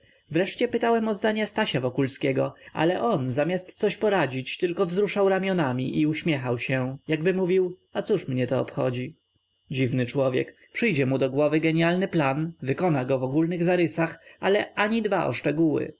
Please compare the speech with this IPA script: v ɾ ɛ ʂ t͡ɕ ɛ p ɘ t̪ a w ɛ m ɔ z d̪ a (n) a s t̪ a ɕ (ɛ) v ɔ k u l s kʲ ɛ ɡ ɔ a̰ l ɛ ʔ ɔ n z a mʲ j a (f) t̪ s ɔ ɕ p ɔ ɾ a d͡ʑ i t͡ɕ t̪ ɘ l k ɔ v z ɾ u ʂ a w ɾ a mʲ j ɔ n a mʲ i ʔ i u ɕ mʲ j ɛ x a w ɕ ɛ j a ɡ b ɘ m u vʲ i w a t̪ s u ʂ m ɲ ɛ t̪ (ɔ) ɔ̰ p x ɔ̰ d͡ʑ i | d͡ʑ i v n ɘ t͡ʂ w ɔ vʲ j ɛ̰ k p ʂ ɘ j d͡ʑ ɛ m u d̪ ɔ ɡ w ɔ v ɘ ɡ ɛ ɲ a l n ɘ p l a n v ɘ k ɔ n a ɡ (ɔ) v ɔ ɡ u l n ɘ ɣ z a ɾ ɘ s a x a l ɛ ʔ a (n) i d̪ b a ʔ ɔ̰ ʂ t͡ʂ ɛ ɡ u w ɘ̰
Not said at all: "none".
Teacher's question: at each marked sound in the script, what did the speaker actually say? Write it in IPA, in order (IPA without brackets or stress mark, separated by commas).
ɲ, a, s, ɔ, ɔ, ɲ